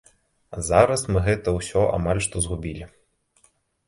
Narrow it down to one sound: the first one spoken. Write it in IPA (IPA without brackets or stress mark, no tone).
z